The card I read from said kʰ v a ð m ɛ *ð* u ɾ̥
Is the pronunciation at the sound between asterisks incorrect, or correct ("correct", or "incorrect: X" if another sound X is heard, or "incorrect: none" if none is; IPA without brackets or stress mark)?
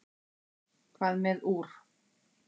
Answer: correct